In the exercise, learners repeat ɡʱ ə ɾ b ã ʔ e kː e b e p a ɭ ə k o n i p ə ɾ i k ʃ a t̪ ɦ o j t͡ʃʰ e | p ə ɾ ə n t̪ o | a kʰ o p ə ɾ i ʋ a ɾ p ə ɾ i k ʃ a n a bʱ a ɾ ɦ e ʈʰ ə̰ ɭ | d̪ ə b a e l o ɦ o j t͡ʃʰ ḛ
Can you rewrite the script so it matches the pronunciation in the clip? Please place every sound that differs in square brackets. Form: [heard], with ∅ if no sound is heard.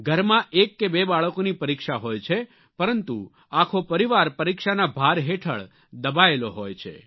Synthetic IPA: ɡʱ ə ɾ [m] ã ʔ e kː e b e [b] a ɭ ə k o n i p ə ɾ i k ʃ a [∅] ɦ o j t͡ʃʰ e | p ə ɾ ə n t̪ [u] | a kʰ o p ə ɾ i ʋ a ɾ p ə ɾ i k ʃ a n a bʱ a ɾ ɦ e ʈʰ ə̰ ɭ | d̪ ə b a e l o ɦ o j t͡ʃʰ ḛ